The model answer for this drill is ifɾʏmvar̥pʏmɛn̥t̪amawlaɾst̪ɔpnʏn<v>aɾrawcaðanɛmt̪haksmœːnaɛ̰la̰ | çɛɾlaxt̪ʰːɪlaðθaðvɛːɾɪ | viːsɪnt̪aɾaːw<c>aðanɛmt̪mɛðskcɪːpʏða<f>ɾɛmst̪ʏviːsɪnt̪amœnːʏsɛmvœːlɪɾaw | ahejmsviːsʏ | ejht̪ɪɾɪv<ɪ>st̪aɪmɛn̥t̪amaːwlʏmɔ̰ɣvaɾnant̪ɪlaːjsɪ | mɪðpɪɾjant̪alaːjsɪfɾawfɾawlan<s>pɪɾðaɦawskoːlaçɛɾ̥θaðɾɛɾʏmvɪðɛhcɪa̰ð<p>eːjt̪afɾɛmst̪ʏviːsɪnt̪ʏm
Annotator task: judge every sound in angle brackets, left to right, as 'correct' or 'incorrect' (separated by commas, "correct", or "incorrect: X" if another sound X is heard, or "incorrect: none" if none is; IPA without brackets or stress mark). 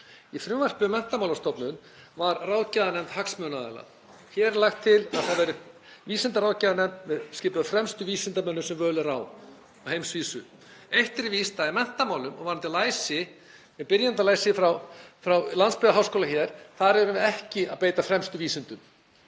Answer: correct, correct, correct, incorrect: i, correct, correct